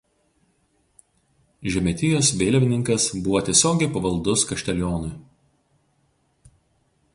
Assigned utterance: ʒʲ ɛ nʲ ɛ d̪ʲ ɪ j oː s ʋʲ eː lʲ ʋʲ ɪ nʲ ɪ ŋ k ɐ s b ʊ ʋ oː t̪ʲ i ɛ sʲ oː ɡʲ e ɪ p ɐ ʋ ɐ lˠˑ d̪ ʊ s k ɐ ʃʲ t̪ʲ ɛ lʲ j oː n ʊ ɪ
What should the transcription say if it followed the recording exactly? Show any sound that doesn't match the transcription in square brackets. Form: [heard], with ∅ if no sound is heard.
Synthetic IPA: ʒʲ ɛ [mʲ] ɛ [t̪ʲ] ɪ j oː s ʋʲ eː lʲ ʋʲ ɪ nʲ ɪ ŋ k ɐ s b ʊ ʋ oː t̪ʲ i ɛ sʲ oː ɡʲ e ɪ p ɐ ʋ ɐ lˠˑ d̪ ʊ s k ɐ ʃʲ t̪ʲ ɛ lʲ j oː n ʊ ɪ